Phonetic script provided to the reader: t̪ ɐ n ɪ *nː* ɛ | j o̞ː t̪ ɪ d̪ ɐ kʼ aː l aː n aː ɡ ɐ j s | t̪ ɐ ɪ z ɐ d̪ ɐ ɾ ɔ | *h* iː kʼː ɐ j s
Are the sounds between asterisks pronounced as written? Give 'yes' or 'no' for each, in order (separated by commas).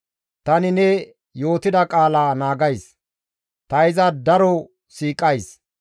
no, no